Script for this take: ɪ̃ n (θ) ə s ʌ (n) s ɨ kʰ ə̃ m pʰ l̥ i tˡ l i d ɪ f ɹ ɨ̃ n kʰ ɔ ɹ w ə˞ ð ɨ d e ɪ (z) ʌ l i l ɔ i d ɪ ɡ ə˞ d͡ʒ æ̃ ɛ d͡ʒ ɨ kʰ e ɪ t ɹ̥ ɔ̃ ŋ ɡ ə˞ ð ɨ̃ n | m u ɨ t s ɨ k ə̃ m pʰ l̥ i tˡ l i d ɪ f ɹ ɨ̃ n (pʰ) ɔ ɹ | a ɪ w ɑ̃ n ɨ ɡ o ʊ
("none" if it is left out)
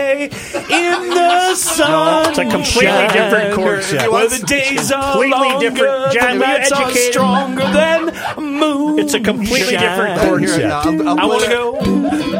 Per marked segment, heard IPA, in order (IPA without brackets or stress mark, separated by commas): ð, n, z, kʰ